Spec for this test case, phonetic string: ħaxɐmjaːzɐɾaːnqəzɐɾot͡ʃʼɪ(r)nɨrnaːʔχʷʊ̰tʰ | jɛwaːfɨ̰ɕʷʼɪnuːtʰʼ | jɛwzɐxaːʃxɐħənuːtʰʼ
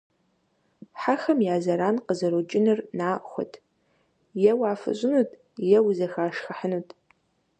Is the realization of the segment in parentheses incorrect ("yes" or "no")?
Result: yes